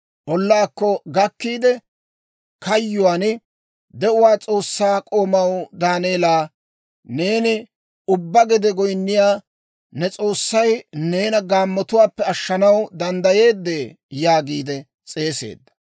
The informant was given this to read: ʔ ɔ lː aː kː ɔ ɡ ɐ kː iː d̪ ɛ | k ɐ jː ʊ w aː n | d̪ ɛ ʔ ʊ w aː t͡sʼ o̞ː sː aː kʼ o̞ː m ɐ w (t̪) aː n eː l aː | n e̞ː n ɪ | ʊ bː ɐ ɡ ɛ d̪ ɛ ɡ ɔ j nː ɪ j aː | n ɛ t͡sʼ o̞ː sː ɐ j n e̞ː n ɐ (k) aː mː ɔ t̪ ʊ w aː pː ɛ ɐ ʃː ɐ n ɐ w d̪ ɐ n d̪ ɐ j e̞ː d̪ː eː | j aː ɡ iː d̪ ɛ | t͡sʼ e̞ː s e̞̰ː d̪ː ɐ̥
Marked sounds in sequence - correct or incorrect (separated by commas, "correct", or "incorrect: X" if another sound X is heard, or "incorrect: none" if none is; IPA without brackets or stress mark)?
incorrect: d̪, incorrect: ɡ